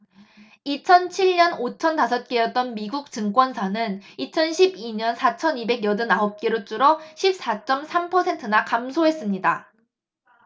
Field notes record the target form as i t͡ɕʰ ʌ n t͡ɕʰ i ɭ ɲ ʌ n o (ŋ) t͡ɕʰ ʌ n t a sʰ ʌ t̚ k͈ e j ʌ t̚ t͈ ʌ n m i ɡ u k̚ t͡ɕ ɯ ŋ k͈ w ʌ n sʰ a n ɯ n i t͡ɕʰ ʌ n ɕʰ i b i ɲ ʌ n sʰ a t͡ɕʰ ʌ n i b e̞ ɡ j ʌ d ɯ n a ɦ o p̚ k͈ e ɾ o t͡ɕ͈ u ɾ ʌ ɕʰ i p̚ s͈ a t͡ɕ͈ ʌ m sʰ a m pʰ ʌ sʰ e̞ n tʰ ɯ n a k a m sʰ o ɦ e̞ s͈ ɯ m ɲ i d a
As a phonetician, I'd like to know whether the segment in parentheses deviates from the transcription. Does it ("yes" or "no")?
yes